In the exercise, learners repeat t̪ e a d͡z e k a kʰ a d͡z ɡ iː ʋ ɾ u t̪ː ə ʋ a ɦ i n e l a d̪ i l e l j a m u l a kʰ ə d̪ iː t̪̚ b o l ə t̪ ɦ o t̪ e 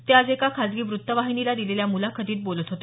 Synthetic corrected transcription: t̪ e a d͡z e k a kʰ a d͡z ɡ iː ʋ ɾ u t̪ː ə ʋ a ɦ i n i l a d̪ i l e l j a m u l a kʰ ə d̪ iː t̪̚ b o l ə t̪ ɦ o t̪ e